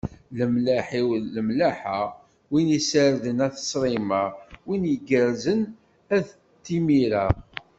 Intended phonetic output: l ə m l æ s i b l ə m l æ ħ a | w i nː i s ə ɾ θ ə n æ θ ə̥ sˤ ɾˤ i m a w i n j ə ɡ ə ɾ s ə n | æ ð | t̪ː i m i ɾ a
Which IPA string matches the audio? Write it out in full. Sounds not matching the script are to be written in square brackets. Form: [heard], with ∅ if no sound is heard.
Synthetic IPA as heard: l ə m l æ [ħ] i [w] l ə m l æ ħ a | w i [n] i s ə ɾ [ð] ə n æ θ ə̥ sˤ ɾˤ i m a w i n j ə ɡ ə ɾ [z] ə n | æ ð | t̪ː i m i ɾ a